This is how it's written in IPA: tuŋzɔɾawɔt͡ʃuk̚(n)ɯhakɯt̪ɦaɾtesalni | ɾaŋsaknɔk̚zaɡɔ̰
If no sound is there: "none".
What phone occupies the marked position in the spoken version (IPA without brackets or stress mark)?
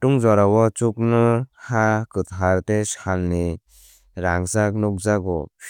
n